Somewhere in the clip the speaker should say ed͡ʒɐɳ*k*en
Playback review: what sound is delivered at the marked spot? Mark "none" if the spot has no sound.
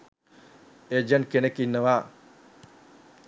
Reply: k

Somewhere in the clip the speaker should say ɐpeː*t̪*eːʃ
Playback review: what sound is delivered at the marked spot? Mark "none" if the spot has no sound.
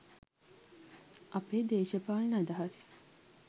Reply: d̪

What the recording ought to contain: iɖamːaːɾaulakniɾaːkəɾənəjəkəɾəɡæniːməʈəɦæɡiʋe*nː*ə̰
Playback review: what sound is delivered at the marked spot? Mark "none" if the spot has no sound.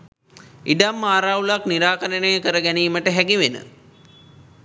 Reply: n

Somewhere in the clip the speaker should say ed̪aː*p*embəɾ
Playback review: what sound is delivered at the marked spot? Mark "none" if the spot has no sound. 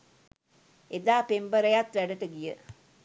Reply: p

